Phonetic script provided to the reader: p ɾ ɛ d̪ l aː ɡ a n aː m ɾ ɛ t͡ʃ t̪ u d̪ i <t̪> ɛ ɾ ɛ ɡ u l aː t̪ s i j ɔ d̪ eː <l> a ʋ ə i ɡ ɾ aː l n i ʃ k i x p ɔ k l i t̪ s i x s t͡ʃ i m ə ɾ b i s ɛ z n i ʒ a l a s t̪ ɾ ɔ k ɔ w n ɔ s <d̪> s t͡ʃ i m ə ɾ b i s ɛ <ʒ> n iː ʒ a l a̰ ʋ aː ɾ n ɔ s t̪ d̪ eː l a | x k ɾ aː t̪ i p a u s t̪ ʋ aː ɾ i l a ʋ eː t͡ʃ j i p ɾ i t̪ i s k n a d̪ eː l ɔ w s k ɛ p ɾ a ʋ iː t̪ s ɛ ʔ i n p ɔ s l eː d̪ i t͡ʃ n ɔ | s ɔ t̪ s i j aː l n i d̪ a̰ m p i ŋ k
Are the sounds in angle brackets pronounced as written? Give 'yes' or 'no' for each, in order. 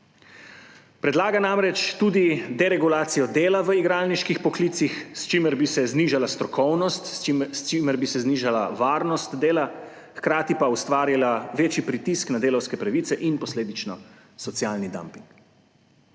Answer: no, yes, no, no

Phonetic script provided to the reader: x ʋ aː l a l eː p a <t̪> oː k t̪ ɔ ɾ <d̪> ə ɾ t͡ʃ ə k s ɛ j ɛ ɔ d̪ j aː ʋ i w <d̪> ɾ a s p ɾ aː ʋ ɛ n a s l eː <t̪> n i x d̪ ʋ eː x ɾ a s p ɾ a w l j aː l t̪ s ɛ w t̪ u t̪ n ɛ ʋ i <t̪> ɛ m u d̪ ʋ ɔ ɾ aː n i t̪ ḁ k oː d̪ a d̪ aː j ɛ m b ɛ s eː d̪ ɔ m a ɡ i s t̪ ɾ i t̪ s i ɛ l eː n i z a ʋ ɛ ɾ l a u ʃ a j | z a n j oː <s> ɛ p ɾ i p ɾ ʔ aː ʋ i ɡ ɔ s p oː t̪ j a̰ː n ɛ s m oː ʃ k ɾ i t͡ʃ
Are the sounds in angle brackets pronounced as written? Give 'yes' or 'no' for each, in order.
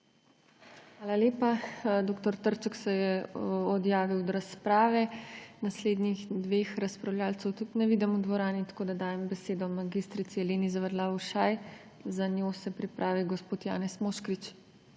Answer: no, no, yes, no, no, yes

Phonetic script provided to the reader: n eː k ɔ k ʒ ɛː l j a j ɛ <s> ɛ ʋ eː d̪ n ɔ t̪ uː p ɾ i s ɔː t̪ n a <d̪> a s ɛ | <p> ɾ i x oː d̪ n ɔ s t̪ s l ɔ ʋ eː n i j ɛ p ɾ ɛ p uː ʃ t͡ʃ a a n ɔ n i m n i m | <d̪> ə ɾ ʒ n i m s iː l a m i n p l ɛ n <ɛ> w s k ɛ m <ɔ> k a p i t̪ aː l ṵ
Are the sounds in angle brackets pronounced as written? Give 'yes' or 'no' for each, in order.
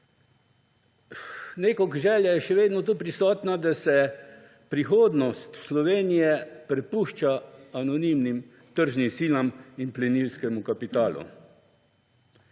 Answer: no, yes, yes, no, no, no

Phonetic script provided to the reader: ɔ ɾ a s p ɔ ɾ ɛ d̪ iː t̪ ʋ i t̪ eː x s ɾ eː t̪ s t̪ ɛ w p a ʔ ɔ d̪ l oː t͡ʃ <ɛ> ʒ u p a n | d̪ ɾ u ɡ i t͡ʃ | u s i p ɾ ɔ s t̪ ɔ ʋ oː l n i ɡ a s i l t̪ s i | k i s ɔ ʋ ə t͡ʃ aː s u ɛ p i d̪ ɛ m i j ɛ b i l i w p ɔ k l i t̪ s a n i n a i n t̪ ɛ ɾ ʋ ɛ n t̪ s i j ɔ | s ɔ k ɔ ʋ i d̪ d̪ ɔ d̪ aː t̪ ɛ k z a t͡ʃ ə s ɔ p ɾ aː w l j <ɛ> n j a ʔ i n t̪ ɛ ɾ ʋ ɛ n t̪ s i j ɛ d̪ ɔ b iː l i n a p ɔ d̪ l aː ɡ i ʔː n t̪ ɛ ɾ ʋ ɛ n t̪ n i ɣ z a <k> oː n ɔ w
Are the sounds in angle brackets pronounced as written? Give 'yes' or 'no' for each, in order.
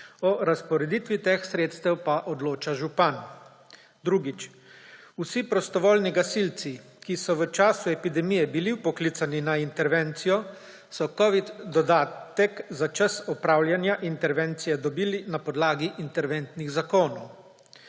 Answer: no, no, yes

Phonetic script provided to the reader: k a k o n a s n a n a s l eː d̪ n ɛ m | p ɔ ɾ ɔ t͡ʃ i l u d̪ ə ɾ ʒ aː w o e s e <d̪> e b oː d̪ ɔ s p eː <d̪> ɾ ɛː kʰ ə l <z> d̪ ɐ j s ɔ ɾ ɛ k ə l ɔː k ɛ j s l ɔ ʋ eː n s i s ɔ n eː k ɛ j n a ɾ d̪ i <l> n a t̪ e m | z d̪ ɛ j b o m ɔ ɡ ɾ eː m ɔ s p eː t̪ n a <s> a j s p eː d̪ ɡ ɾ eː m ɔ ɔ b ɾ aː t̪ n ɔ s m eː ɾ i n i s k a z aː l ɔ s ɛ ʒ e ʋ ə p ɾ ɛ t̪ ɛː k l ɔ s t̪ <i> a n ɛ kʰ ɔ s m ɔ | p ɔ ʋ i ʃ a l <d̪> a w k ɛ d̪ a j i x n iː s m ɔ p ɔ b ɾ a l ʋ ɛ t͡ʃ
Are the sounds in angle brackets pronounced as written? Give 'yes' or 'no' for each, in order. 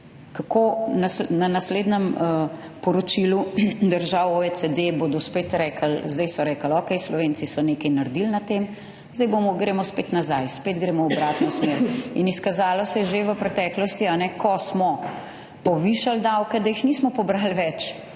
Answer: yes, no, yes, yes, no, yes, yes

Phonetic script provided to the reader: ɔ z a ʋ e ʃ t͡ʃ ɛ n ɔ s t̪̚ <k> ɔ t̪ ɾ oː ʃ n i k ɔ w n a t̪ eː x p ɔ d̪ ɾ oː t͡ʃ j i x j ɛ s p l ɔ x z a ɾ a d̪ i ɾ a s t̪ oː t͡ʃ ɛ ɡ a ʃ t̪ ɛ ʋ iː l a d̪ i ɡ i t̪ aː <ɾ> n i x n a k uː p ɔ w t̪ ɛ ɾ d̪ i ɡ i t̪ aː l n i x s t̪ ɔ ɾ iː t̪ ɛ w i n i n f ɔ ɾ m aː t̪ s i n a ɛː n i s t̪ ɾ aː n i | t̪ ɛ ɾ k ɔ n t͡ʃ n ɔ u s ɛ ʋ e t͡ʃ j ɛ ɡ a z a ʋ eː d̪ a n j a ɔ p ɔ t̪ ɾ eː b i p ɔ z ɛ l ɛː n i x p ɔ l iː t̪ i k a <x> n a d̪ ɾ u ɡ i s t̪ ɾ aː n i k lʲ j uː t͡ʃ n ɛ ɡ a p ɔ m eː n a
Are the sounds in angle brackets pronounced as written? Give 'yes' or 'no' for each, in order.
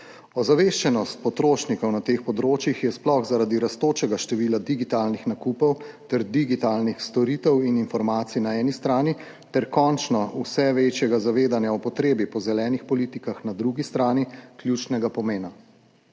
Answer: no, no, yes

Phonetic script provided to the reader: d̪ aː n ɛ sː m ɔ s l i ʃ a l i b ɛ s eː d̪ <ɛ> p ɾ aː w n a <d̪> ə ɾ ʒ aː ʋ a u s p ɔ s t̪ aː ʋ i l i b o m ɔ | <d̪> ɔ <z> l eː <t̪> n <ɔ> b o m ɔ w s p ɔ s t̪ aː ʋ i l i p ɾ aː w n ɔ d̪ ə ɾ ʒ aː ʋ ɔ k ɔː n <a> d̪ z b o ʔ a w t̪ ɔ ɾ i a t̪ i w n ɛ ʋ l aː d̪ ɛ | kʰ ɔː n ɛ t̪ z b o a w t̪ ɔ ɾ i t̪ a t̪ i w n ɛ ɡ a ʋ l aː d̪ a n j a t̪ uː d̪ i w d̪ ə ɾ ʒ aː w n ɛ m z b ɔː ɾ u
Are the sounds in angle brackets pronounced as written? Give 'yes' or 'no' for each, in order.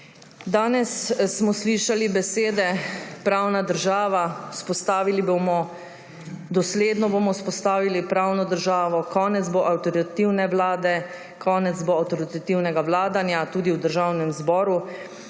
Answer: yes, yes, yes, no, no, yes, no

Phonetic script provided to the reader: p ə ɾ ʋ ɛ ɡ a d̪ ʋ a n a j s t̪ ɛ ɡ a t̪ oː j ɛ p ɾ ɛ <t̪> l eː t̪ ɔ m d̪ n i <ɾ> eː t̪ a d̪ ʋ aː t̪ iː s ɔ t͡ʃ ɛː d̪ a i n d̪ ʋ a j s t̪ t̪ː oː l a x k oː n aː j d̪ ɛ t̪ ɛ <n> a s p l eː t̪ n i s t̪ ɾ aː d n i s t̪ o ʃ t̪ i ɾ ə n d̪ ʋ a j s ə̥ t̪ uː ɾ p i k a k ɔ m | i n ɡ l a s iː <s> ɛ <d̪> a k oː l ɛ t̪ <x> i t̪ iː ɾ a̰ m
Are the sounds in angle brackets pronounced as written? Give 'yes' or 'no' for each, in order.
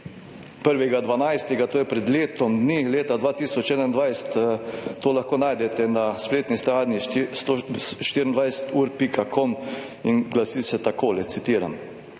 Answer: no, no, yes, yes, no, no

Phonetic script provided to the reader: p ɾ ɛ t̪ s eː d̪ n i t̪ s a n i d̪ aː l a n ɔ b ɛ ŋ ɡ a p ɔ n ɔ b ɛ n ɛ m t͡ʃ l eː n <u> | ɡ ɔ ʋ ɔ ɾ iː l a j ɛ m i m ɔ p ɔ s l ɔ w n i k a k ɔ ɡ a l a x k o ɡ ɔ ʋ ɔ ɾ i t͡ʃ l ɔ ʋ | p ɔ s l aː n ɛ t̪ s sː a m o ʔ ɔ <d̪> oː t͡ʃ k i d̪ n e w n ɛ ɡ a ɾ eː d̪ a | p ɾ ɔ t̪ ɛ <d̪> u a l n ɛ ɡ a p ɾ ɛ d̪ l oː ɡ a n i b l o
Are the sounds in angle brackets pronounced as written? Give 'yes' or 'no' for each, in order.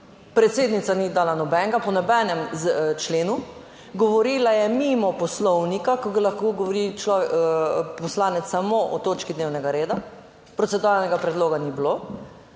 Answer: yes, no, yes

